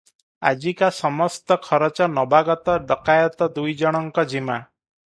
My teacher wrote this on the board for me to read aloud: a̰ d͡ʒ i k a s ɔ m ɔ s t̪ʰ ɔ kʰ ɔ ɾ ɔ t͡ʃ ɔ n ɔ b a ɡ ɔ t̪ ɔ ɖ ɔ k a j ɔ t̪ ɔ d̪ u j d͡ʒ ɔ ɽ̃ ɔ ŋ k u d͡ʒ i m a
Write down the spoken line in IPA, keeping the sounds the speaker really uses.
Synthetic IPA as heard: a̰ d͡ʒ i k a s ɔ m ɔ s t̪ ɔ kʰ ɔ ɾ ɔ t͡ʃ ɔ n ɔ b a ɡ ɔ t̪ ɔ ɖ ɔ k a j ɔ t̪ ɔ d̪ u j d͡ʒ ɔ ɽ̃ ɔ ŋ k ɔ d͡ʒ i m a